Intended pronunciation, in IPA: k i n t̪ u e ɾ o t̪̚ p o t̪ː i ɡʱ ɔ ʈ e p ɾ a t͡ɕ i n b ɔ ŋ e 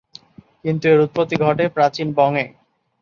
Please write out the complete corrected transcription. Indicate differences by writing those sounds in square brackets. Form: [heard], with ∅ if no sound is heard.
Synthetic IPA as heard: k i n t̪ u e ɾ [u] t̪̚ p o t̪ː i ɡʱ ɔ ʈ e p ɾ a t͡ɕ i n b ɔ ŋ e